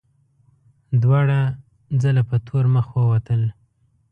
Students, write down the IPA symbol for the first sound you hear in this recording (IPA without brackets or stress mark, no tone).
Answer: d̪